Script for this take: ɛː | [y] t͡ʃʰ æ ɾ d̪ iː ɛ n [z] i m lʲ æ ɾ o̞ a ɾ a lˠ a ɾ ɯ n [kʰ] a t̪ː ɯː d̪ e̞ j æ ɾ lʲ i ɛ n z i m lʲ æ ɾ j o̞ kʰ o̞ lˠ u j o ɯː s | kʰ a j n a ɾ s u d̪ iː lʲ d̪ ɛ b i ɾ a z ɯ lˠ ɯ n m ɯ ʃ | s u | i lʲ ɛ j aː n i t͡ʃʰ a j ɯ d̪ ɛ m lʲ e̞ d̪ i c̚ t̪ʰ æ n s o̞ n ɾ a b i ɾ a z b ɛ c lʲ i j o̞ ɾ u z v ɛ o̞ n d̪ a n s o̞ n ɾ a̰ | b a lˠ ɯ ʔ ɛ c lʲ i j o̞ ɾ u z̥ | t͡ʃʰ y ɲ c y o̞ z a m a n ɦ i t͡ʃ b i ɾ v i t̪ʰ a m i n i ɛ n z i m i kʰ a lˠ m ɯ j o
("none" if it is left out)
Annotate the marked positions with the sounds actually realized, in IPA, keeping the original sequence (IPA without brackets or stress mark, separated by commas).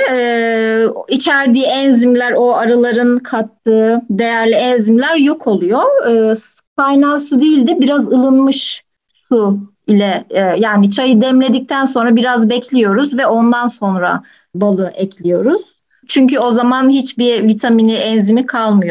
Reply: i, z, kʰ